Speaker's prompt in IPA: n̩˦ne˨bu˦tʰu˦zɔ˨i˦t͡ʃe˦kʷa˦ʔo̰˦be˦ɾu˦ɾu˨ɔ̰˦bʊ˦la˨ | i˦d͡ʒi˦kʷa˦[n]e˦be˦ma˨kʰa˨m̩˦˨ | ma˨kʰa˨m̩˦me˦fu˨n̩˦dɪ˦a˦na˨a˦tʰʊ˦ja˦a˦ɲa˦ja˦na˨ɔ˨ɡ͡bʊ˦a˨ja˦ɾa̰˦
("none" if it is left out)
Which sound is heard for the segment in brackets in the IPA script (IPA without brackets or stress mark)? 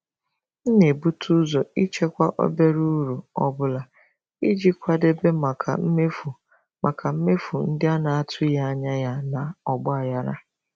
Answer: d